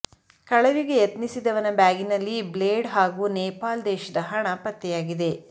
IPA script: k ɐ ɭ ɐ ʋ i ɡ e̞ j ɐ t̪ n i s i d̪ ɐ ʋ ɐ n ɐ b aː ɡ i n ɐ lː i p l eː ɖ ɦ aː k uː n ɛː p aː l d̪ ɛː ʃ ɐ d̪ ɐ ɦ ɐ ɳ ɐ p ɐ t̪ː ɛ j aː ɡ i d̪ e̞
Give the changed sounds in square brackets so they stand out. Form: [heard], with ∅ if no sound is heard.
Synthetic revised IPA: k ɐ ɭ ɐ ʋ i ɡ e̞ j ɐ t̪ n i s i d̪ ɐ ʋ ɐ n ɐ b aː ɡ i n ɐ lː i [b] l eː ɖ ɦ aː [ɡ] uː n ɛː p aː l d̪ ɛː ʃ ɐ d̪ ɐ ɦ ɐ ɳ ɐ p ɐ t̪ː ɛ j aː ɡ i d̪ e̞